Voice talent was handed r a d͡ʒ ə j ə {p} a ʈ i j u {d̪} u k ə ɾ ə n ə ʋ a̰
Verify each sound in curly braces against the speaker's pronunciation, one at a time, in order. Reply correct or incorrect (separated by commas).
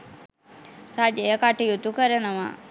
incorrect, incorrect